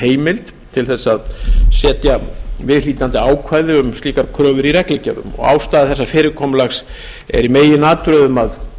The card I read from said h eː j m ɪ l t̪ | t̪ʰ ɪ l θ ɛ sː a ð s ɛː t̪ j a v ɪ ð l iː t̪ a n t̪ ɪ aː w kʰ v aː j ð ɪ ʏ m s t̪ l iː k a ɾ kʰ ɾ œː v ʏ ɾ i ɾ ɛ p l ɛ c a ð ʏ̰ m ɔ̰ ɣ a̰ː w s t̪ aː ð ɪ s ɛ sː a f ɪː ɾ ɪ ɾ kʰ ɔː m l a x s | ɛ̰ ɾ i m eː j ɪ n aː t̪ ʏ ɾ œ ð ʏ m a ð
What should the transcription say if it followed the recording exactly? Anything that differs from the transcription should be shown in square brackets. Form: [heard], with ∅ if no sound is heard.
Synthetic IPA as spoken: h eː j m ɪ l t̪ | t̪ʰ ɪ l θ ɛ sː a ð s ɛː t̪ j a v ɪ ð l iː t̪ a n t̪ ɪ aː w kʰ v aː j ð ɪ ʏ m s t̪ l iː k a ɾ kʰ ɾ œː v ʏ ɾ i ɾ ɛ [k] l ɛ c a ð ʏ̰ m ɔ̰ ɣ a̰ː w s t̪ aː ð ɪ [θ] ɛ sː a f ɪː ɾ ɪ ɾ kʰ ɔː m l a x s | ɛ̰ ɾ i m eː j ɪ n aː t̪ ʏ ɾ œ ð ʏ m a ð